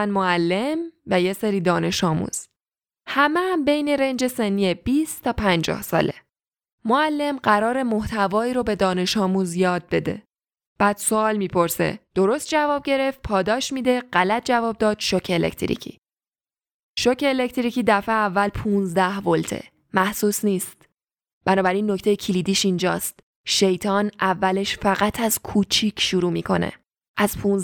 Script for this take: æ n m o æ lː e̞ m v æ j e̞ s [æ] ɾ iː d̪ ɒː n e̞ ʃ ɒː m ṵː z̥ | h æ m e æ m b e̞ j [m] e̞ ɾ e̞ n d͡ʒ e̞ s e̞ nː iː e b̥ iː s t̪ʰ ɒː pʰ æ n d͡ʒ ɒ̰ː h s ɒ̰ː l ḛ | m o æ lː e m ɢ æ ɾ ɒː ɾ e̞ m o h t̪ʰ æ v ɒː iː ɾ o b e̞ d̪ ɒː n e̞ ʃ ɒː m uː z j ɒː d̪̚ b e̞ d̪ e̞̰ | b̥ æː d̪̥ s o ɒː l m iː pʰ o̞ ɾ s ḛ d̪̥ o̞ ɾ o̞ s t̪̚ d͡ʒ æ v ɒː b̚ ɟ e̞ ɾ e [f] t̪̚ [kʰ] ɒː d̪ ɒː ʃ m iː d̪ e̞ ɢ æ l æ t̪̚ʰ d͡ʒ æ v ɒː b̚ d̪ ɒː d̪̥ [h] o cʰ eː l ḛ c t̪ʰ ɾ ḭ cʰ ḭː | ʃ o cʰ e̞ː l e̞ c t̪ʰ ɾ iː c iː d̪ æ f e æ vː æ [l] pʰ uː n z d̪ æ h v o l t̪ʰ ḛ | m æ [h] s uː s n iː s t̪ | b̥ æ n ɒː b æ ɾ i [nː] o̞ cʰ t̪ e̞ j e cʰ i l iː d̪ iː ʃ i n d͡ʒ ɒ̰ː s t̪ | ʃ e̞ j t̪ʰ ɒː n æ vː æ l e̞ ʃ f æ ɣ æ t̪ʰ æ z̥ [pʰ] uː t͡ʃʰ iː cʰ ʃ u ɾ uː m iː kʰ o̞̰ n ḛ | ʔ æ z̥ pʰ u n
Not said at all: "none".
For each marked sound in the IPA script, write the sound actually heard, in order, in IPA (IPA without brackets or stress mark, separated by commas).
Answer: e, n, f, pʰ, ʃ, l, h, nː, kʰ